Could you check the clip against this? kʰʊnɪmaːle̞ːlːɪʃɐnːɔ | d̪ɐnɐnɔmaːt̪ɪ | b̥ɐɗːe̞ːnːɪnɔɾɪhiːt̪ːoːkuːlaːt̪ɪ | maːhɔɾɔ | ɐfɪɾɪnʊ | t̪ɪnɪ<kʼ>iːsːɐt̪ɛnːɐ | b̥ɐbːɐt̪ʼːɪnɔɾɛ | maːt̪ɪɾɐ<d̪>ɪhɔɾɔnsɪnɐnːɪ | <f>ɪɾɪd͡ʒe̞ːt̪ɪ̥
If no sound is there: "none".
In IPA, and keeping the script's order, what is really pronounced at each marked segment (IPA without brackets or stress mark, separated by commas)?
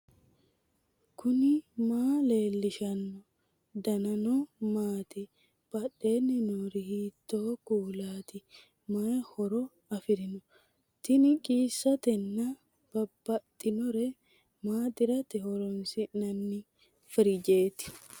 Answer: kʼ, t̪, f